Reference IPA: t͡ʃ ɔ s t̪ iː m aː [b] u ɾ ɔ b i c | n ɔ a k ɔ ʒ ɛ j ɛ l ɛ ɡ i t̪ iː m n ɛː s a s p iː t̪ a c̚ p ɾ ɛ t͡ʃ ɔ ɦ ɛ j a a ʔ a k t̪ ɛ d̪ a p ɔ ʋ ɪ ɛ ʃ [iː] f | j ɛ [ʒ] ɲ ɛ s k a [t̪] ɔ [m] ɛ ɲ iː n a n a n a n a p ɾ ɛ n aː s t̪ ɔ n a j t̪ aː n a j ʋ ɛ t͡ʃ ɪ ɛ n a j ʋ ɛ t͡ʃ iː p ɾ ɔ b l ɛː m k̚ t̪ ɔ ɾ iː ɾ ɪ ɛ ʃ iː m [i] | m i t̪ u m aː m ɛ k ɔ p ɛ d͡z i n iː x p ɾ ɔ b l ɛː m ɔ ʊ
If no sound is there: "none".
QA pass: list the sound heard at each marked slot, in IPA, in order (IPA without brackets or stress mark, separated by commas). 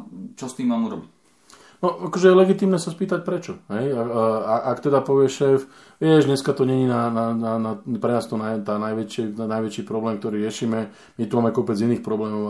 m, ɛː, ʒ, t̪, ɲ, ɛ